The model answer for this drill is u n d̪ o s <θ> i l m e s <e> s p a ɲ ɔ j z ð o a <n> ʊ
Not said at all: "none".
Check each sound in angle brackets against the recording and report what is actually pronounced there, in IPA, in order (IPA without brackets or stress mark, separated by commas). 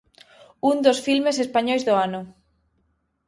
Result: f, e, n